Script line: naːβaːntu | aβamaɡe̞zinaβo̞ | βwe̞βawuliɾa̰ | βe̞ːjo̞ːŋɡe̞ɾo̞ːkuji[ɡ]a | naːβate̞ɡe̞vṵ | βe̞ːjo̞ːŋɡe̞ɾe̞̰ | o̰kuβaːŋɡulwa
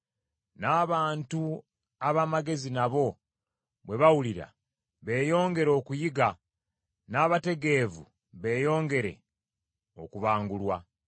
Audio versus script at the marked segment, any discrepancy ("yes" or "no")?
no